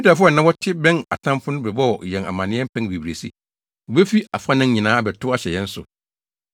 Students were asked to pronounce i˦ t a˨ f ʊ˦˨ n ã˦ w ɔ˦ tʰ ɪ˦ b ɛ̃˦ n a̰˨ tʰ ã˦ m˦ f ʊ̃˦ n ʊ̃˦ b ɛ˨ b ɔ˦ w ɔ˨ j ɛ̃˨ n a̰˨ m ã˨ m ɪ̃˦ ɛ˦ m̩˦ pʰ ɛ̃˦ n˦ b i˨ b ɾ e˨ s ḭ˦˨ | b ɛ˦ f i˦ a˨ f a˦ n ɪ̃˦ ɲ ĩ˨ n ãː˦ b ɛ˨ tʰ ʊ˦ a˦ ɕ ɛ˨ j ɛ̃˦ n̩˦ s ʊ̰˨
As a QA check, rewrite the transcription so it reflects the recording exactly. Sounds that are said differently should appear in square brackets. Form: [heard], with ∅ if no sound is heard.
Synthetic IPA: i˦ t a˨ f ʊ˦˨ n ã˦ w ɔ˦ tʰ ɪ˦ b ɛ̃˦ n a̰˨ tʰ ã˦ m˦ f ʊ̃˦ n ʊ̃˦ b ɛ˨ b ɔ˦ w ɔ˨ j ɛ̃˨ n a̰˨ m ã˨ [n] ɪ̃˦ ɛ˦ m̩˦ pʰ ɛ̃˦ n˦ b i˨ b ɾ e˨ s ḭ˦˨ | b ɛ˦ f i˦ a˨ f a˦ n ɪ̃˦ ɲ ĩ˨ n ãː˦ b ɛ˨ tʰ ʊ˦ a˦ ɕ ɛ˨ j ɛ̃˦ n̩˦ s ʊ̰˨